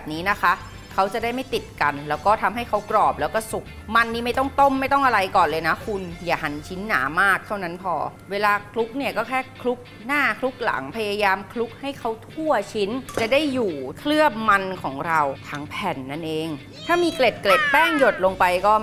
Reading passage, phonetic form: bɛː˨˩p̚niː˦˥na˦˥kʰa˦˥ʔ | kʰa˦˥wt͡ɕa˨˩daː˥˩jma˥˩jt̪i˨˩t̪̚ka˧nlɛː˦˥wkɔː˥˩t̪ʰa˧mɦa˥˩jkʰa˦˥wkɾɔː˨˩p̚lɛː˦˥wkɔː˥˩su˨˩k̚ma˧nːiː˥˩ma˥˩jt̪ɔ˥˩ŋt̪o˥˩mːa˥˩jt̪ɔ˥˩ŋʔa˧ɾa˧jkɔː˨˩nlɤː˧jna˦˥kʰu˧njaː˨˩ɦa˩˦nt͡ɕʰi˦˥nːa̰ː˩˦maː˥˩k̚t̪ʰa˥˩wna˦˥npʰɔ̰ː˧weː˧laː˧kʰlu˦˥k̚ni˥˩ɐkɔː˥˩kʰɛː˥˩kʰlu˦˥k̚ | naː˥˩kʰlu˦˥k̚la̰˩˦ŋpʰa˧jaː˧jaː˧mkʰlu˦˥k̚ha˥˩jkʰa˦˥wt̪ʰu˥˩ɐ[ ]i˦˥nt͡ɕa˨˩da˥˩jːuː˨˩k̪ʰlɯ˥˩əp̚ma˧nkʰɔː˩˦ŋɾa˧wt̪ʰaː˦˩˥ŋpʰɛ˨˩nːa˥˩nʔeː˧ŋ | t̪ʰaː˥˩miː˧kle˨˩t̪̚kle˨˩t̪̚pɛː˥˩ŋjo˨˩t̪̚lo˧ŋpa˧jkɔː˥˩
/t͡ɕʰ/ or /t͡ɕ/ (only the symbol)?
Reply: t͡ɕʰ